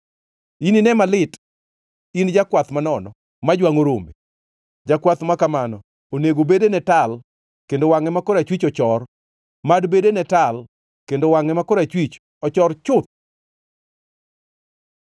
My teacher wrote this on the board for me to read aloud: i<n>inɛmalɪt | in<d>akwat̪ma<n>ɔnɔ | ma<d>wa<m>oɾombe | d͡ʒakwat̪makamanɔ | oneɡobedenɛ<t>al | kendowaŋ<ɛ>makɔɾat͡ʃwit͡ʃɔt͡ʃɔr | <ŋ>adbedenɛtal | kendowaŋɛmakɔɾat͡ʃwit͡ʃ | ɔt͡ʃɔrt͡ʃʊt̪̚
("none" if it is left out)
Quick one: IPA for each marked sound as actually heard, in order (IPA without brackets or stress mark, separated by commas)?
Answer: n, d͡ʒ, n, d͡ʒ, ŋ, t, ɛ, m